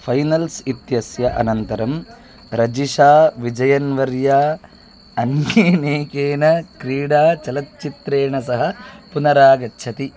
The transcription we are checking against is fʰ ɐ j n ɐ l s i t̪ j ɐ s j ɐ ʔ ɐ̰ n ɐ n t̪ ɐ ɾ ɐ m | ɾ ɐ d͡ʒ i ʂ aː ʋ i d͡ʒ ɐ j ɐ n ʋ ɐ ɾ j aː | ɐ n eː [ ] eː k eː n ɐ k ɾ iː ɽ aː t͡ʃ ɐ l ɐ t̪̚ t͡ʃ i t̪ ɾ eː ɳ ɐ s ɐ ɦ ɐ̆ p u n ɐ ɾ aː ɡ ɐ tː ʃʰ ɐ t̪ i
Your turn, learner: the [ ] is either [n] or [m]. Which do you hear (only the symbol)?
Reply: n